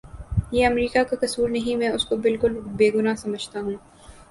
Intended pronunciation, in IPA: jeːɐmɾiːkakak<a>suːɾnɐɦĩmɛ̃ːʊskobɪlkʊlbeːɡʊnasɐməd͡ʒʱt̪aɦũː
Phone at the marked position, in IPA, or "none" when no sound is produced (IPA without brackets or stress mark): ɐ